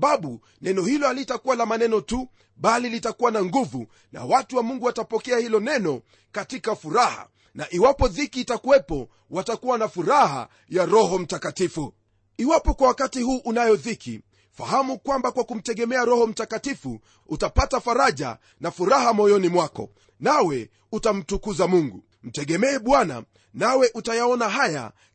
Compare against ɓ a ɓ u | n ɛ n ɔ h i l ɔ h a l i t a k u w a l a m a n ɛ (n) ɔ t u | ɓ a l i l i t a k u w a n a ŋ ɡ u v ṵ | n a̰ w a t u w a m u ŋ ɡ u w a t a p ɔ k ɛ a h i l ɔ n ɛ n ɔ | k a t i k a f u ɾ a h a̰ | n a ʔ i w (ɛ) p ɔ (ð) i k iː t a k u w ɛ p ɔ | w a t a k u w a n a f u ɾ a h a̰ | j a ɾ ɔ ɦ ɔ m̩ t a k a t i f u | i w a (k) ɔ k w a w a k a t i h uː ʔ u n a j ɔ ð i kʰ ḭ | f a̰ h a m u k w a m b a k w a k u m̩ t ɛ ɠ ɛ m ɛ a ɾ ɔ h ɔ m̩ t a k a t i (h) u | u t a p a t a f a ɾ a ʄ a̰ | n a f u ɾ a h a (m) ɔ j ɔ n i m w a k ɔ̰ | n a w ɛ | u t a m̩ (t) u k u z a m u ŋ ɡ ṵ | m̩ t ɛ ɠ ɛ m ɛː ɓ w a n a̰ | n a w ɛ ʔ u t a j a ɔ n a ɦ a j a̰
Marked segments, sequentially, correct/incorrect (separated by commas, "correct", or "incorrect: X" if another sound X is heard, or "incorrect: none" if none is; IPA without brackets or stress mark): correct, incorrect: a, correct, incorrect: p, incorrect: f, correct, correct